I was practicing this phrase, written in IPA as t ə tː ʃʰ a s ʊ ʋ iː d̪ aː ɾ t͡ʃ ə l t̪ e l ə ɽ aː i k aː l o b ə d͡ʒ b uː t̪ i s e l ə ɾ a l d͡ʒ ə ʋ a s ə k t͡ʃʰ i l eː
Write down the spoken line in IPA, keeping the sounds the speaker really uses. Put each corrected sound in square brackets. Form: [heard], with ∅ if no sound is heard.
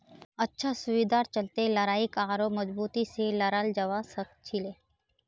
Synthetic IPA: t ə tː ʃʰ a s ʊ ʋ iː d̪ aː ɾ t͡ʃ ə l t̪ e l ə [ɾ] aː i k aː [ɾ] o [m] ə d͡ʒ b uː t̪ i s e l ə ɾ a l d͡ʒ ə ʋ a s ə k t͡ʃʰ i l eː